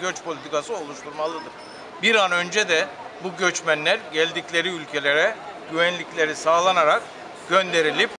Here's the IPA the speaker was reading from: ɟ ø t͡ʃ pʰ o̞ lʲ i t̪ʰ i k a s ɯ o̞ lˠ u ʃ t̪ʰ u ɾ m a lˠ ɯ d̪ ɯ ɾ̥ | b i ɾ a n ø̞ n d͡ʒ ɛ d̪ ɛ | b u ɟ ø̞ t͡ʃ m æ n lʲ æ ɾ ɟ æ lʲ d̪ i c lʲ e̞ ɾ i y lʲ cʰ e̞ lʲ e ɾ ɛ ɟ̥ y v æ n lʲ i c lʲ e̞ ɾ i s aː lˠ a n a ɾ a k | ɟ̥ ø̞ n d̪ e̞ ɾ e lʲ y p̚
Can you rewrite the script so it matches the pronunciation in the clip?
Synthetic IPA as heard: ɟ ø t͡ʃ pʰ o̞ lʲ i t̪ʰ i k a s ɯ o̞ lˠ u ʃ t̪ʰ u ɾ m a lˠ ɯ d̪ ɯ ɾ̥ | b i ɾ a n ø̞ n d͡ʒ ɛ d̪ ɛ | b u ɟ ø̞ t͡ʃ m æ n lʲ æ ɾ ɟ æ lʲ d̪ i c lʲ e̞ ɾ i y lʲ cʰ e̞ lʲ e ɾ ɛ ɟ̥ y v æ n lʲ i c lʲ e̞ ɾ i s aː lˠ a n a ɾ a k | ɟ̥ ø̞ n d̪ e̞ ɾ i lʲ i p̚

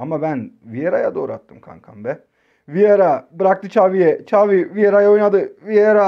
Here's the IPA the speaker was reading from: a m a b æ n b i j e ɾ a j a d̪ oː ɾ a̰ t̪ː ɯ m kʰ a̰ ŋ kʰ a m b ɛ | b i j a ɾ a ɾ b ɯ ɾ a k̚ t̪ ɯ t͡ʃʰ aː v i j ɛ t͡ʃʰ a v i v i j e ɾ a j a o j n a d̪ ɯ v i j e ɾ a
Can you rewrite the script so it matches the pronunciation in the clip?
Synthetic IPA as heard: a m a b æ n v i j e ɾ a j a d̪ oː ɾ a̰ t̪ː ɯ m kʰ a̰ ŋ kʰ a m b ɛ | v i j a ɾ a b ɯ ɾ a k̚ t̪ ɯ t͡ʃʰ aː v i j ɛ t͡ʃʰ a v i v i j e ɾ a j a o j n a d̪ ɯ v i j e ɾ a

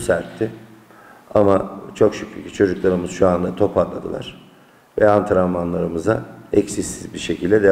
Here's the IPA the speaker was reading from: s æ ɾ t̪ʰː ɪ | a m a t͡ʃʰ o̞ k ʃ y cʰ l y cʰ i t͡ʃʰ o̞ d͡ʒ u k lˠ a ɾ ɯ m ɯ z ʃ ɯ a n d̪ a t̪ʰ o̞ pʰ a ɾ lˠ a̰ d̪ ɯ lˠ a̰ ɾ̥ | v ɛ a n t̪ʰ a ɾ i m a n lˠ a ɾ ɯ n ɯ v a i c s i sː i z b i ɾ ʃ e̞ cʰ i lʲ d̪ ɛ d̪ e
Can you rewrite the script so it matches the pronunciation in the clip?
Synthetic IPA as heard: s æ ɾ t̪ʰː ɪ | a m a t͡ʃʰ o̞ k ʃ y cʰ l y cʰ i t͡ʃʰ o̞ d͡ʒ u k lˠ a ɾ ɯ m ɯ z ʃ u a n d̪ a t̪ʰ o̞ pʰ a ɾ lˠ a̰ d̪ ɯ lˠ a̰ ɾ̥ | v ɛ a n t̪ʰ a ɾ a m a n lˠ a ɾ ɯ m ɯ z a ɛ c s i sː i z b i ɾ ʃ e̞ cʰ i lʲ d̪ ɛ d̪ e

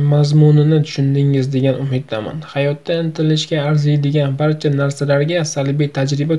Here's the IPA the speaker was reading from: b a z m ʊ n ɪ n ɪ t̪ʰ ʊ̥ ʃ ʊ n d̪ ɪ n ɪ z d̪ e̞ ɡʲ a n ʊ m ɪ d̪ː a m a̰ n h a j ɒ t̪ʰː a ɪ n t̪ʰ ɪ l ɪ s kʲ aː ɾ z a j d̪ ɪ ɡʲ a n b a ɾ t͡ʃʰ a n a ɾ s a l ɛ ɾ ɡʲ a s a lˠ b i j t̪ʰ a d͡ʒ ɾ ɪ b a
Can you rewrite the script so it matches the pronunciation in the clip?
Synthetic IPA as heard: m a z m ʊ n ɪ n ɪ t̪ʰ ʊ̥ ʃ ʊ n d̪ ɪ ŋ ɪ z d̪ e̞ ɡʲ a n ʊ m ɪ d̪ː a m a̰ n h a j ɒ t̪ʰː a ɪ n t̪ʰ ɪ l ɪ ʃ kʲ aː ɾ z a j d̪ ɪ ɡʲ a n b a ɾ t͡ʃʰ a n a ɾ s a l a ɾ ɡʲ a s a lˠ b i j t̪ʰ a d͡ʒ ɾ ɪ b a

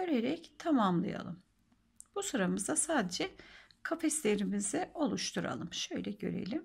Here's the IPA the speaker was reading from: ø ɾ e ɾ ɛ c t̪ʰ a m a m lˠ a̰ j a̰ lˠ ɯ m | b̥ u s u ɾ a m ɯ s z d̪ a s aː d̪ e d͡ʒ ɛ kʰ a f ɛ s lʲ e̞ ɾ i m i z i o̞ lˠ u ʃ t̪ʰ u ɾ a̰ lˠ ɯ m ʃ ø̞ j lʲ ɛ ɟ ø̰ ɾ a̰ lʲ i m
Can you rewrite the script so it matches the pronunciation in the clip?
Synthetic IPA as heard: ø ɾ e ɾ ɛ c t̪ʰ a m a m lˠ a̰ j a̰ lˠ ɯ m | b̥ u s u ɾ a m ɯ z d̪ a s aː d̪ e d͡ʒ ɛ kʰ a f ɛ s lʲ e̞ ɾ i m i z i o̞ lˠ u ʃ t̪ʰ u ɾ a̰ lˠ ɯ m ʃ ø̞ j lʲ ɛ ɟ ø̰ ɾ ḛ lʲ i m

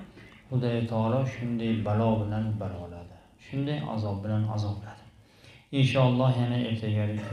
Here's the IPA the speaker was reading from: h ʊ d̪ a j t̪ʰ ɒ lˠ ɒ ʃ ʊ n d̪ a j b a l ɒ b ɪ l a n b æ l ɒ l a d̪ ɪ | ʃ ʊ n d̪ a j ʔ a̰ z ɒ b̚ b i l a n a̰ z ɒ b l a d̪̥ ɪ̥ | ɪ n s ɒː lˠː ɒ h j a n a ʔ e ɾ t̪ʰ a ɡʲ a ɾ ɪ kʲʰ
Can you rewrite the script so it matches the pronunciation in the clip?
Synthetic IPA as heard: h ʊ d̪ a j t̪ʰ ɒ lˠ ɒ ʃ ʊ n d̪ a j b a l ɒ b ɪ l a n b a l ɒ l a d̪ ɪ | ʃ ʊ n d̪ a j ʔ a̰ z ɒ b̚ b ɪ l a n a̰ z ɒ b l a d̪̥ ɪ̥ | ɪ n ʃ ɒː lˠː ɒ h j a n a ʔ e ɾ t̪ʰ a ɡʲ a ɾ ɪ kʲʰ

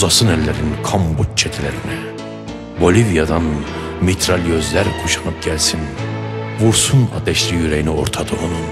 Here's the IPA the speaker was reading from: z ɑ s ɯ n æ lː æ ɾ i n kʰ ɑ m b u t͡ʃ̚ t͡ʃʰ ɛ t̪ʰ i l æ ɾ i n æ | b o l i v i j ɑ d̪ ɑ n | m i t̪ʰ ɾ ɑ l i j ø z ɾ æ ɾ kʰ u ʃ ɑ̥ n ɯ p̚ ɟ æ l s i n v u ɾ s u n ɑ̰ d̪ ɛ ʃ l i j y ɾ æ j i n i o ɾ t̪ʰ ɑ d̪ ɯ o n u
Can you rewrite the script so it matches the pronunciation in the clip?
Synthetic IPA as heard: z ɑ s ɯ n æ lː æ ɾ i n kʰ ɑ m b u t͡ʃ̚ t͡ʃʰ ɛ t̪ʰ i l æ ɾ i n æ | b o l i v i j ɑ d̪ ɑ n | m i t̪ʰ ɾ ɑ l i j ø z l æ ɾ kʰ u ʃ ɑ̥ n ɯ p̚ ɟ æ l s i n v u ɾ s u n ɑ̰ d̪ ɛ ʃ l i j y ɾ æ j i n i o ɾ t̪ʰ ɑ d̪ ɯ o n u

